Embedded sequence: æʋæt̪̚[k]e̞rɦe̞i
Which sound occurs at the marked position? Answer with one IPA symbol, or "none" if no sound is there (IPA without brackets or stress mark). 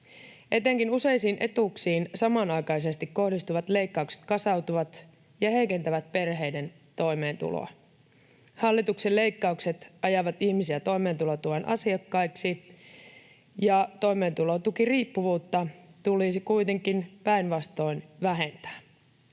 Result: p